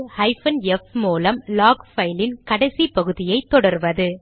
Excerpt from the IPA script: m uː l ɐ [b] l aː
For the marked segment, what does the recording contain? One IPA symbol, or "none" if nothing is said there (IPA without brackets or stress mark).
m